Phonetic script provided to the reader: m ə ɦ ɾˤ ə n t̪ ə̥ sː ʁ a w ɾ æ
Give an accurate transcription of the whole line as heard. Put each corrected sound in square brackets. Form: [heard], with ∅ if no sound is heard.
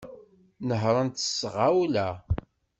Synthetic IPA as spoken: [n] ə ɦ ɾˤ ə n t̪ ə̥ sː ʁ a w [l] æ